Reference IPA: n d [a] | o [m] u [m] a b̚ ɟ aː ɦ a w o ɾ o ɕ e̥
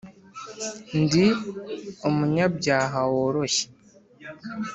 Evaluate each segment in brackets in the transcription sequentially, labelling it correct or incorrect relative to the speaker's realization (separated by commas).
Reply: incorrect, correct, incorrect